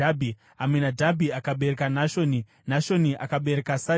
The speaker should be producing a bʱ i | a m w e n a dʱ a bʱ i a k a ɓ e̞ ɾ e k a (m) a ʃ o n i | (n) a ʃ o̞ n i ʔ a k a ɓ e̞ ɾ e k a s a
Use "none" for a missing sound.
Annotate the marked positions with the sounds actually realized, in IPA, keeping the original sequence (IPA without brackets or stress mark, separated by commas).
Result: n, n